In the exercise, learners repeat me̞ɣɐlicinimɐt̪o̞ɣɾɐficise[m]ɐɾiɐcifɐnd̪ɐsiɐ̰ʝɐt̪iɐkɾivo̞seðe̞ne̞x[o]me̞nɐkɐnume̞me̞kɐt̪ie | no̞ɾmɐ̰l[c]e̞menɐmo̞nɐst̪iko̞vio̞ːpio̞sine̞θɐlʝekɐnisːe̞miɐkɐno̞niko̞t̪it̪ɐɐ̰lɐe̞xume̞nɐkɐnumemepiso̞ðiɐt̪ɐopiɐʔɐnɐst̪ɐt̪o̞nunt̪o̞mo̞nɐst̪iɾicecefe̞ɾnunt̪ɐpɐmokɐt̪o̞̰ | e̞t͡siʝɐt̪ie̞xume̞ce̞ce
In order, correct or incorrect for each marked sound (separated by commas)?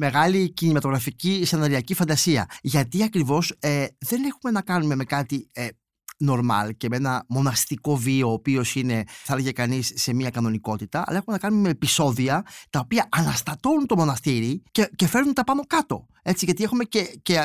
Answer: incorrect, incorrect, correct